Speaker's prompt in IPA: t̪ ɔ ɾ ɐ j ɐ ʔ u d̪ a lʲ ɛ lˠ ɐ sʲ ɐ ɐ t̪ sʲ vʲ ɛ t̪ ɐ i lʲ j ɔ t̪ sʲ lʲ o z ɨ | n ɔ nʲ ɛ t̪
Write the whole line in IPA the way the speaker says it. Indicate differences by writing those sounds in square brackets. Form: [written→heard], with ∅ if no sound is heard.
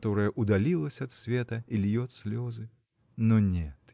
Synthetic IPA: t̪ ɔ ɾ ɐ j ɐ ʔ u d̪ a lʲ [ɛ→i] lˠ ɐ sʲ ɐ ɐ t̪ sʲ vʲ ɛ t̪ ɐ i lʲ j ɔ t̪ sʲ lʲ [o→ɔ] z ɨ | n ɔ nʲ ɛ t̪